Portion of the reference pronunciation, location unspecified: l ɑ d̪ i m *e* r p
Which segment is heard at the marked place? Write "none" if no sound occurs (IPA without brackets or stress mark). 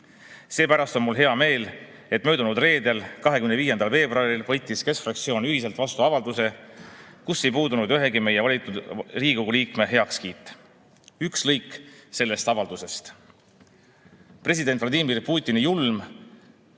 i